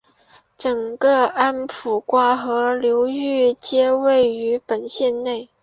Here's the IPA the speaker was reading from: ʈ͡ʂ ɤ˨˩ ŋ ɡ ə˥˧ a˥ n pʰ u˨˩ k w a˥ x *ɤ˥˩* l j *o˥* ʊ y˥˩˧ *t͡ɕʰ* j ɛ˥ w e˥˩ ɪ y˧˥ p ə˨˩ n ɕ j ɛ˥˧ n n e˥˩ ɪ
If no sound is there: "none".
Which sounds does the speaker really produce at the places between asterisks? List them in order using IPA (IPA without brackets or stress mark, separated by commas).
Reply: ɤ˧˥, o˧˥, t͡ɕ